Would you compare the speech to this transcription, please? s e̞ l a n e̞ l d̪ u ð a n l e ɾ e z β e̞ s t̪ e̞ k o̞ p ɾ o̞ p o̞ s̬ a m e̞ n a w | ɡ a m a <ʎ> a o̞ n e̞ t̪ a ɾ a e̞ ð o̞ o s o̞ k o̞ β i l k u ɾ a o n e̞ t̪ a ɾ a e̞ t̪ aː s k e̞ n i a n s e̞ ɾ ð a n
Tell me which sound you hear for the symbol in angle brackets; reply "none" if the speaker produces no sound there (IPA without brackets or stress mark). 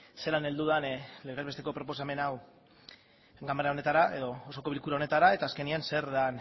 ɾ